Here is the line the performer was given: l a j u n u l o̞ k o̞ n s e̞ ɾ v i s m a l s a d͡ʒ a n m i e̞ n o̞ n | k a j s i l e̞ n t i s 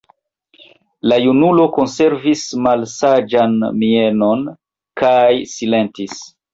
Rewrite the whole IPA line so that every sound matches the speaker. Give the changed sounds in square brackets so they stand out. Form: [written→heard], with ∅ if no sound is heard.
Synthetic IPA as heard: l a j u n u l o̞ k o̞ n s e̞ ɾ v i s m a l s a d͡ʒ a n m i e̞ n o̞ n | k a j s i l e̞ n t i s